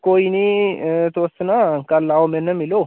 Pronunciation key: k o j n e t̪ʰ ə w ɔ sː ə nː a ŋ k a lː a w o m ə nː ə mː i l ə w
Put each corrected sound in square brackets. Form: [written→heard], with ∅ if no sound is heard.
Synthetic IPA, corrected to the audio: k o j n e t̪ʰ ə w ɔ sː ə [nː→n] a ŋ k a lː a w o m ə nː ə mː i l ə w

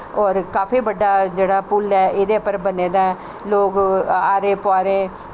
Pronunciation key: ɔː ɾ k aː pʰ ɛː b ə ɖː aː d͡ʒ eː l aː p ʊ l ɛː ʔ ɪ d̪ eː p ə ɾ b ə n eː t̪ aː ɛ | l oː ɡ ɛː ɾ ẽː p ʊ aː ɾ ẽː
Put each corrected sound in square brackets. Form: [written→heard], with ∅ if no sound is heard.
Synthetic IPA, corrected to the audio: ɔː ɾ k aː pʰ [ɛː→iː] b ə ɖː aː d͡ʒ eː [l→ɽ] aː p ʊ l ɛː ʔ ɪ d̪ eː p ə ɾ b ə n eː [t̪→d̪] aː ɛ | l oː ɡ [ɛː→aː] ɾ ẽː p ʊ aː ɾ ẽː

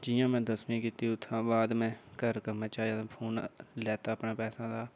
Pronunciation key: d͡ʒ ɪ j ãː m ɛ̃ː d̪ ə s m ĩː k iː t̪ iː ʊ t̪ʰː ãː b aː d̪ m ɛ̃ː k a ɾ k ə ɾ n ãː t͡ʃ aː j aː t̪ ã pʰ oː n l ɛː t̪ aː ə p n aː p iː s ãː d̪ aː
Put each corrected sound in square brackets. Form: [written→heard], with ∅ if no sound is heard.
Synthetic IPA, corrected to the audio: d͡ʒ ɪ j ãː m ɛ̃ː d̪ ə s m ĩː k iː t̪ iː ʊ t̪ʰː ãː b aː d̪ m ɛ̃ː k [a→ə] ɾ k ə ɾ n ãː t͡ʃ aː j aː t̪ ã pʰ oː n l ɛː t̪ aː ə p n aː p [iː→ɛː] s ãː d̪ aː

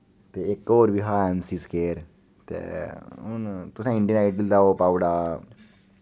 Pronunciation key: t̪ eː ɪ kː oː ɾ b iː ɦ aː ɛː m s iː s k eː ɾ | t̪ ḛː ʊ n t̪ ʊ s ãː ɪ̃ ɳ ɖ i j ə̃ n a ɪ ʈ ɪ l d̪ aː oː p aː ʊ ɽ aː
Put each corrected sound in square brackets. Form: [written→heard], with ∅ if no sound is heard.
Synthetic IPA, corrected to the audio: t̪ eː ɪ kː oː ɾ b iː ɦ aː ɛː m s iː s k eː ɾ | t̪ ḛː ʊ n t̪ ʊ s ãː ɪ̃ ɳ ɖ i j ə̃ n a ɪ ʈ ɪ l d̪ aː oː p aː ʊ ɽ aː

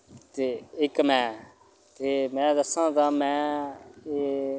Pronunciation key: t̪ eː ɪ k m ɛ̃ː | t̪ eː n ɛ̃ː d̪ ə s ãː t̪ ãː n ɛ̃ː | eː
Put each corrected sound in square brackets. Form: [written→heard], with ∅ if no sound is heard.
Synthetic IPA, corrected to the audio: t̪ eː ɪ k m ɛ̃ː | t̪ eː [n→m] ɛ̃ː d̪ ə s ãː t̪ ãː [n→m] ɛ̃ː | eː

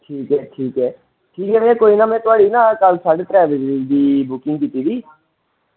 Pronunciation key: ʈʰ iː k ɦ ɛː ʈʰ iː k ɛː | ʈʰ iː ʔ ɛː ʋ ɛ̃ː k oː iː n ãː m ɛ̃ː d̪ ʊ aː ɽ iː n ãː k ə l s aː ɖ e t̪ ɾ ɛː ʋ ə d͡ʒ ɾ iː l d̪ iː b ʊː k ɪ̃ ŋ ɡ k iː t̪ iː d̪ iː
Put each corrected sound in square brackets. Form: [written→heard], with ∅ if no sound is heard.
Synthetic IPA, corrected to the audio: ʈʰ iː k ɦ ɛː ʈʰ iː k ɛː | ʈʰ iː [ʔ→k] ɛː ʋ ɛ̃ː k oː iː n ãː m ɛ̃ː [d̪→t̪] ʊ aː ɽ iː n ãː k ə l s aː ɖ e t̪ ɾ ɛː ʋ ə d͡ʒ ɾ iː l d̪ iː b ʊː k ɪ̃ ŋ ɡ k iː t̪ iː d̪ iː

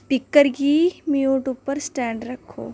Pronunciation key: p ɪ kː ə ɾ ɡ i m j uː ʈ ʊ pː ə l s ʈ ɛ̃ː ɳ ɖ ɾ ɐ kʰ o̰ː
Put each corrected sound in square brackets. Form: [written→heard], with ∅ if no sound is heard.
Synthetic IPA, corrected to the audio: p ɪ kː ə ɾ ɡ i m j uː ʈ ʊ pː ə [l→ɾ] s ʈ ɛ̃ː ɳ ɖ ɾ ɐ kʰ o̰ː

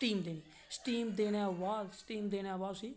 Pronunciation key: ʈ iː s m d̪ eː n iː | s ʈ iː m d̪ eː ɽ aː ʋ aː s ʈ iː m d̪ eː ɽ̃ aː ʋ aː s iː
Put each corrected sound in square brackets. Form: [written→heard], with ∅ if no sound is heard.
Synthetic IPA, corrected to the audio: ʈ iː [s→∅] m d̪ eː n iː | s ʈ iː m d̪ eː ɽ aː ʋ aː s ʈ iː m d̪ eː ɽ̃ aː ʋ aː s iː

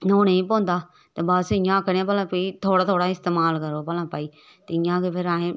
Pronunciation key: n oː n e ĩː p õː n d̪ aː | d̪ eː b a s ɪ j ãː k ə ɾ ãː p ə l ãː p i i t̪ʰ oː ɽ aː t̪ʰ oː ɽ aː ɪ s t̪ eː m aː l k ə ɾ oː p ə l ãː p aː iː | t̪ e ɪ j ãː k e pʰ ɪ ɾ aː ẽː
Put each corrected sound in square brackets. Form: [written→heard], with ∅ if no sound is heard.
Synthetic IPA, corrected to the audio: n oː n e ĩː p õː n d̪ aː | [d̪→t̪] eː b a s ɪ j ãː k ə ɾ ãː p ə l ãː p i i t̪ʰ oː ɽ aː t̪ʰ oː ɽ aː ɪ s t̪ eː m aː l k ə ɾ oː p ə l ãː p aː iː | t̪ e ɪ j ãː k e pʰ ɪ ɾ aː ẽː

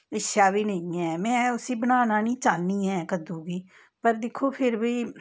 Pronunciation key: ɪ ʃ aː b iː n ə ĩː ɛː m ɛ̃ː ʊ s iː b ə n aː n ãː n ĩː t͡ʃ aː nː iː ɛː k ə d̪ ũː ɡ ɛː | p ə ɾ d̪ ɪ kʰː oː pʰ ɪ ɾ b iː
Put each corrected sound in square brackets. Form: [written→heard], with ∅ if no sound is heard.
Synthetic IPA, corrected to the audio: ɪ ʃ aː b iː n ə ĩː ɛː m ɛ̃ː ʊ s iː b ə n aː n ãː n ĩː t͡ʃ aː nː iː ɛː k ə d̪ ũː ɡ [ɛː→iː] | p ə ɾ d̪ ɪ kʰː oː pʰ ɪ ɾ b iː

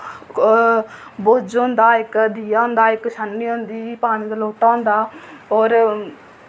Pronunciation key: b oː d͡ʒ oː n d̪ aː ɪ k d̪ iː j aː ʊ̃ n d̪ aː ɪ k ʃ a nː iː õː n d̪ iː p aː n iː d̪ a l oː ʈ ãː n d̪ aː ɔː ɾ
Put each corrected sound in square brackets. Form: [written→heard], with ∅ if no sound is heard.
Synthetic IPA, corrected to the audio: b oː d͡ʒ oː n d̪ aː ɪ k d̪ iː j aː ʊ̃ n d̪ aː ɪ k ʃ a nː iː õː n d̪ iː p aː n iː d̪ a l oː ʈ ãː n d̪ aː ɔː ɾ

